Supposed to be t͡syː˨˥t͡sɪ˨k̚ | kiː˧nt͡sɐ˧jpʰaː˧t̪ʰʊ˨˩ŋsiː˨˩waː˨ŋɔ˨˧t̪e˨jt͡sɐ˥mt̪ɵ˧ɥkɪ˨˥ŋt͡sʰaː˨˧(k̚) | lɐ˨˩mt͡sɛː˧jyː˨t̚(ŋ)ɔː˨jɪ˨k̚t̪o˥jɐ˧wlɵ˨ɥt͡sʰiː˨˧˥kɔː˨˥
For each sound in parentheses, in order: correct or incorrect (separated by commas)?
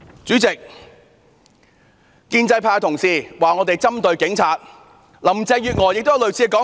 incorrect, correct